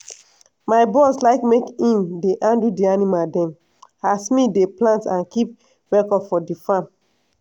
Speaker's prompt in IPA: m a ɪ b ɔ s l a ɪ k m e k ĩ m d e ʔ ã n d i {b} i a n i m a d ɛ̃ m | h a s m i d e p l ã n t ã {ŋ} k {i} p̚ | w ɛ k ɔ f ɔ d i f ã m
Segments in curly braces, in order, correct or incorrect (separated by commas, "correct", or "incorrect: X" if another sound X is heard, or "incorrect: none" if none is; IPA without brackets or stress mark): incorrect: d, incorrect: n, correct